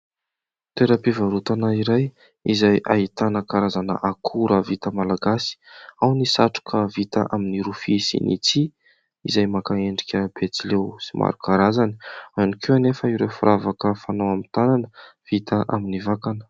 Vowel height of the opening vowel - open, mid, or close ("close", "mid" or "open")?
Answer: mid